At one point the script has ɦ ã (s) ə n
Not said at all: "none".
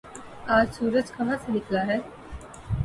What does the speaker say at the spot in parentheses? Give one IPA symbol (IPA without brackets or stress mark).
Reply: s